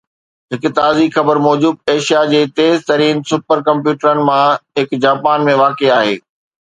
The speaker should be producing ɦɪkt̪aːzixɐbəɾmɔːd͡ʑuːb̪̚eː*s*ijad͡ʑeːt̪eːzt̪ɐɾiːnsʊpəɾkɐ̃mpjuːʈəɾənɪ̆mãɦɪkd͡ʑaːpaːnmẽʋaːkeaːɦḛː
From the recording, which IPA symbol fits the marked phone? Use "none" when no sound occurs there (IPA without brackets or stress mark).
ʃ